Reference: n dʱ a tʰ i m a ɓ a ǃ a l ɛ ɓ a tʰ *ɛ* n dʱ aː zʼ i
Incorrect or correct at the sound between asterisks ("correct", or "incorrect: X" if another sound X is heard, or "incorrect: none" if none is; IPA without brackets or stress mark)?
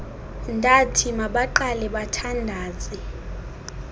incorrect: a